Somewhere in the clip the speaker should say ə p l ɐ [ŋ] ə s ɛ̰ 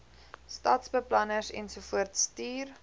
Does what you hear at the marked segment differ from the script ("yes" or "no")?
yes